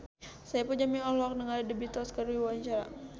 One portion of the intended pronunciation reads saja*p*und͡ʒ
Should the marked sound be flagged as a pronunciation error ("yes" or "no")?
no